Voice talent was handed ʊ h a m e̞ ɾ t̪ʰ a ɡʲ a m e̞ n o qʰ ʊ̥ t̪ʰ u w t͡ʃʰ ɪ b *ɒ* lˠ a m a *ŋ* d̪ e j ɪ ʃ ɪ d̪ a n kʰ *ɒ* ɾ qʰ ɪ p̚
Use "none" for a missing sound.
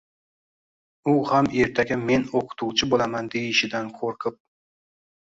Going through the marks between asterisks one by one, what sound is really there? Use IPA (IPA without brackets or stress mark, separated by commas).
o, n, o